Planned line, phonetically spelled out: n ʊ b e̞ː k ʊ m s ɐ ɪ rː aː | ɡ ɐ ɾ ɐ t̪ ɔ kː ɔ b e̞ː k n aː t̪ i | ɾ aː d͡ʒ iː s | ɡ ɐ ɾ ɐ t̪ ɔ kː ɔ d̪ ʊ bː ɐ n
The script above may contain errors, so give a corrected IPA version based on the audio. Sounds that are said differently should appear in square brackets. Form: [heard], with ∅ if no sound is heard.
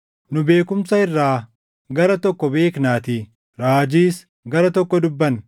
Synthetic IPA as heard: n ʊ b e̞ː k ʊ m s ɐ ɪ rː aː | ɡ ɐ ɾ ɐ t̪ ɔ kː ɔ b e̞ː k n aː t̪ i | ɾ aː d͡ʒ iː s | ɡ ɐ ɾ ɐ t̪ ɔ kː ɔ d̪ ʊ bː ɐ n